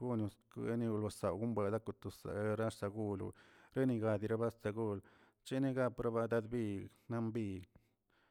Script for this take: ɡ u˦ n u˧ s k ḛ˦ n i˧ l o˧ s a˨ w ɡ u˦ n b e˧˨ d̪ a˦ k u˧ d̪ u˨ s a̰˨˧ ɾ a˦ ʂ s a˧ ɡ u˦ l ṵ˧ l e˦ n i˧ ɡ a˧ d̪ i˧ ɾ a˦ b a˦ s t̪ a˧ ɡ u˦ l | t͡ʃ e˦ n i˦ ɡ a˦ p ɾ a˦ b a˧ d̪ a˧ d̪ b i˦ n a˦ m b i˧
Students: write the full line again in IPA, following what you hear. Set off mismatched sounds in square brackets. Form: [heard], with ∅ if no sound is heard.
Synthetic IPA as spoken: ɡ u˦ n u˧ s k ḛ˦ n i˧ l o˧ s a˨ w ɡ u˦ [m] b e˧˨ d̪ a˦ k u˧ [t̪] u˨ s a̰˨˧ ɾ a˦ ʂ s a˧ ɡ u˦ l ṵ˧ [ɾ] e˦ n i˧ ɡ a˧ d̪ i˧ ɾ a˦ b a˦ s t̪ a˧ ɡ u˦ l | t͡ʃ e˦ n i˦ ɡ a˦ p ɾ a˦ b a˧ d̪ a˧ d̪ b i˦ n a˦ m b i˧